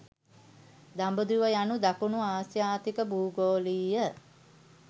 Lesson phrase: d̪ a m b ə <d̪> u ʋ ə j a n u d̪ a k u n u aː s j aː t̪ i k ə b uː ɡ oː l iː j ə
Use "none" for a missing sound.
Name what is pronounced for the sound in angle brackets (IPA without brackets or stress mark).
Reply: d̪